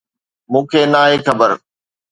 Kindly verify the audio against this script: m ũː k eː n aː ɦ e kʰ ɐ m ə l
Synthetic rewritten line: m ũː kʰ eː n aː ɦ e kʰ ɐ b ə ɾ